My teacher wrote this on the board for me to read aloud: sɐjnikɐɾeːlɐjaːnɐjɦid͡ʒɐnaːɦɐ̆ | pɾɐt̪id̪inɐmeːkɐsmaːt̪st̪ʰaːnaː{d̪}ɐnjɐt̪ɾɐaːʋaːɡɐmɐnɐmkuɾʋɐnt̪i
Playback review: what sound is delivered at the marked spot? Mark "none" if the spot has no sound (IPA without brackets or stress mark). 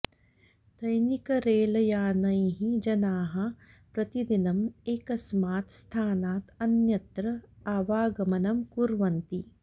t̪